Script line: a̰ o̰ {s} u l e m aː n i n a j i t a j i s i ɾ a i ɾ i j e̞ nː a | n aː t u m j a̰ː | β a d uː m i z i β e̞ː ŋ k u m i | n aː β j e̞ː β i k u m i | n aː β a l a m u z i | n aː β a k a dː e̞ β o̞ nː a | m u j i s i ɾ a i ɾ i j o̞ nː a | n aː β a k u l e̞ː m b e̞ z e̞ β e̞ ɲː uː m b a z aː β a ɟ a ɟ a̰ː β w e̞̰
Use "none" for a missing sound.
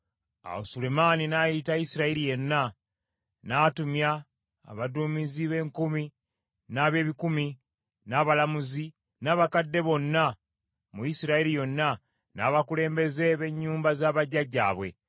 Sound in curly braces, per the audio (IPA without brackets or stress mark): s